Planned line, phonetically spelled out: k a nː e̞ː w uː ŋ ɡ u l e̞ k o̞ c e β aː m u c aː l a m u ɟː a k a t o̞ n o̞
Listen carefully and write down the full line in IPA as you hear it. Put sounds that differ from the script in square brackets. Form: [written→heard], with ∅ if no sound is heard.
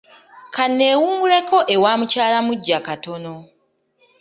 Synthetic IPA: k a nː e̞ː w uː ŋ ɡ u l e̞ k o̞ [c→ʔ] e [β→w] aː m u c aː l a m u ɟː a k a t o̞ n o̞